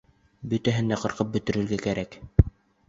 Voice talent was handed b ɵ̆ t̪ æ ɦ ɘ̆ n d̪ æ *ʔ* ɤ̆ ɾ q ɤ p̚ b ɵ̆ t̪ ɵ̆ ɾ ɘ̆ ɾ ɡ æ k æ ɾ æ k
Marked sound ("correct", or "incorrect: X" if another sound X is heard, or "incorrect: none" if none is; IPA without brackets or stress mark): incorrect: q